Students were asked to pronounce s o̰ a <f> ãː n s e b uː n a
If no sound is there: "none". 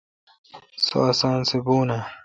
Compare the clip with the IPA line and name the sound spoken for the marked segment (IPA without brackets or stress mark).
s